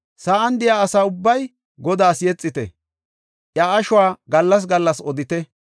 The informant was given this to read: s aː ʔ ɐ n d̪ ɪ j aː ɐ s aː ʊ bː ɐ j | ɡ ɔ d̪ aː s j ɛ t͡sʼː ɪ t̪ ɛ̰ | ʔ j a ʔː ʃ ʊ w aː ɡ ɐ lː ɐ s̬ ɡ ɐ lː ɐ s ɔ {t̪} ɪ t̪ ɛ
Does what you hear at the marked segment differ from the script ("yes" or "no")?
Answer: yes